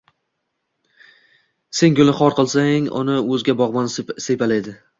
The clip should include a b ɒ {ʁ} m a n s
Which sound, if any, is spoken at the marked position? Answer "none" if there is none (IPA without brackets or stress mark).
ʁ